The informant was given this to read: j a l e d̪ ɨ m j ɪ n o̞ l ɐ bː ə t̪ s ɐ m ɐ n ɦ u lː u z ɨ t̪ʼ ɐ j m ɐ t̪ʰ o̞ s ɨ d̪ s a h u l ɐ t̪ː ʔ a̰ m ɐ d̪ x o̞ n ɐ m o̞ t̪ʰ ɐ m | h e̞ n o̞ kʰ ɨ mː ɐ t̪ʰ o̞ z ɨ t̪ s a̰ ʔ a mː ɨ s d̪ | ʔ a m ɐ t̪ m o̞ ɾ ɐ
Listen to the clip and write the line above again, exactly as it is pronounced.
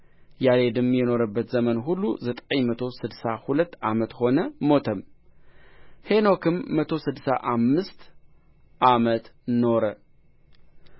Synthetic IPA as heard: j a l e d̪ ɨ m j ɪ n o̞ ɾ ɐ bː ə t̪ z ɐ m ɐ n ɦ u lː u z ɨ t̪ʼ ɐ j m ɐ t̪ʰ o̞ s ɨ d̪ s a h u l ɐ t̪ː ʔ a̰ m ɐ t̪ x o̞ n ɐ m o̞ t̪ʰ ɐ m | h e̞ n o̞ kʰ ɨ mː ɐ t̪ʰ o̞ s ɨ d̪ s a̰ ʔ a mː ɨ s t̪ | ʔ a m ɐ t̪ n o̞ ɾ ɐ